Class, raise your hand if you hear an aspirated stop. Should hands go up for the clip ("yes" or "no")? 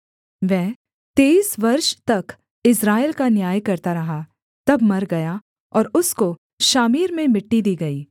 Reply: no